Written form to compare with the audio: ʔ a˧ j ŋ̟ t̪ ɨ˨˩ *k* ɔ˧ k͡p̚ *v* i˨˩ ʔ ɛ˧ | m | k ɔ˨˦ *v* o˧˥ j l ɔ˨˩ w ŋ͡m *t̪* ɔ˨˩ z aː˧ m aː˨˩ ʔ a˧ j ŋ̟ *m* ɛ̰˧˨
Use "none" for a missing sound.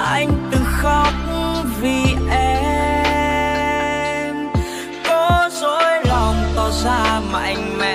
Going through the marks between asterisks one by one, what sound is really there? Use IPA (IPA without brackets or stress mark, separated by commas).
x, v, z, t̪, m